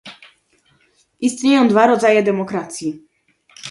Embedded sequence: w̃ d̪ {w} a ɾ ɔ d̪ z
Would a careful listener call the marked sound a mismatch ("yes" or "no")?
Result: yes